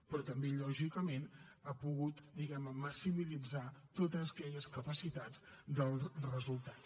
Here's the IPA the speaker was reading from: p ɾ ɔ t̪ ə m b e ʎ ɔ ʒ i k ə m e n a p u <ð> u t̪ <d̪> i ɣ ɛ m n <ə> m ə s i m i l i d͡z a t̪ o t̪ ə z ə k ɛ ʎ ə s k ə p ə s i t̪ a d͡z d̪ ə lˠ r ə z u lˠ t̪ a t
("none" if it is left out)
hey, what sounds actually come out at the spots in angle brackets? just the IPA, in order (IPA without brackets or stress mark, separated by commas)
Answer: ɣ, d̪, ə